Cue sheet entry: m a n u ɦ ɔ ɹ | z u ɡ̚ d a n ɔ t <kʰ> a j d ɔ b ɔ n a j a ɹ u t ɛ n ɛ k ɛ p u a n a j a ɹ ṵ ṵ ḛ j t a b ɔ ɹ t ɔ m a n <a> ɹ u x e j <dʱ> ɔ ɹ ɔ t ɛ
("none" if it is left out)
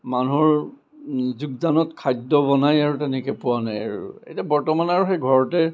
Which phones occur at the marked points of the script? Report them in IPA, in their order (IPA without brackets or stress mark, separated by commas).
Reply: kʰ, a, ɡʱ